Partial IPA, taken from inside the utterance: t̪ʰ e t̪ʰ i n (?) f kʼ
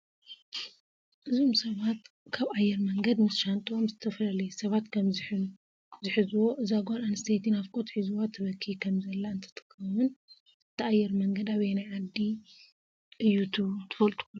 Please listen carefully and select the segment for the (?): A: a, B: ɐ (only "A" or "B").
A